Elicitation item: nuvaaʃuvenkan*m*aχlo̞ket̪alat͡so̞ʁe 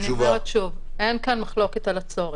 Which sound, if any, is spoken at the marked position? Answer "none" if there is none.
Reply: m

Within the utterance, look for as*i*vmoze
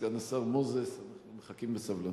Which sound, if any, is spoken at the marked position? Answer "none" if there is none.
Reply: a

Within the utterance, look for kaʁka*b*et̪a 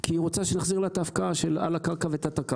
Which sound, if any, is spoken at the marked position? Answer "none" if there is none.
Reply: v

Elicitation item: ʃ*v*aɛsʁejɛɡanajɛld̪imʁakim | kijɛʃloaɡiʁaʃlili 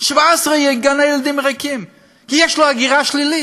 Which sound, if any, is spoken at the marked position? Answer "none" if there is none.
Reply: v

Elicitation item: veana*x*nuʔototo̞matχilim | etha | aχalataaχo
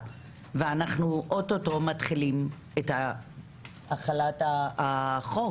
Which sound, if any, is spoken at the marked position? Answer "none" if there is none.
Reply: χ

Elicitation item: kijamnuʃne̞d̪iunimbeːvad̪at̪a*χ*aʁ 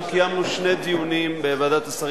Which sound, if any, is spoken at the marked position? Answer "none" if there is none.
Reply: s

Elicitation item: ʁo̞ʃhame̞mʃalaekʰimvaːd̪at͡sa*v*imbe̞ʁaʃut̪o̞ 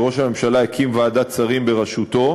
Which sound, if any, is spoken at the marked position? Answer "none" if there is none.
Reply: ʁ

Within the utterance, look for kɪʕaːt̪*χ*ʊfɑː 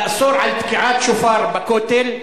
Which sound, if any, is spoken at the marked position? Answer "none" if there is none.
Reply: ʃ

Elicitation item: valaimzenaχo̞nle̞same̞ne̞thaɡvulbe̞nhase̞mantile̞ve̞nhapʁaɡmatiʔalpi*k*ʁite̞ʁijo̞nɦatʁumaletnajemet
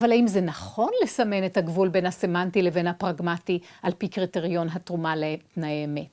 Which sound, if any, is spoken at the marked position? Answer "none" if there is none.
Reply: k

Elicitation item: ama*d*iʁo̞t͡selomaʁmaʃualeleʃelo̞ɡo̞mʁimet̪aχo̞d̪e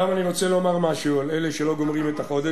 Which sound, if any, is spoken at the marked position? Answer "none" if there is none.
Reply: n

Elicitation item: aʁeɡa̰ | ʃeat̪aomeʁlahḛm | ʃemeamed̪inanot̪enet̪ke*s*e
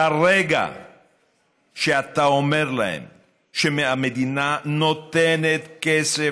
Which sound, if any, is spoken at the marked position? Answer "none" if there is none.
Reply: s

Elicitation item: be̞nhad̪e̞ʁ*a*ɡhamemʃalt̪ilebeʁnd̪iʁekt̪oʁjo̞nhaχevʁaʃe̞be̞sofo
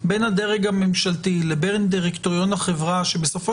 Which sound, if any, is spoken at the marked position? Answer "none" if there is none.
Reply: e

